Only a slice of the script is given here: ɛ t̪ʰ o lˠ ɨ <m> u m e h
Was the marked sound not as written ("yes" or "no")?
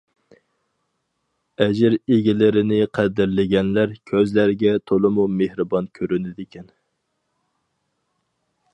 no